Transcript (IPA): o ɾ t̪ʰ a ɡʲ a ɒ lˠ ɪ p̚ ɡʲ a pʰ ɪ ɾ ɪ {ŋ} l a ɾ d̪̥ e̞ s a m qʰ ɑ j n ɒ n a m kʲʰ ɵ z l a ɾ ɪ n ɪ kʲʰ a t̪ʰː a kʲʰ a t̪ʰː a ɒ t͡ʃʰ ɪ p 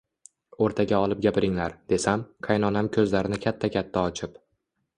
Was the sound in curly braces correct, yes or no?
yes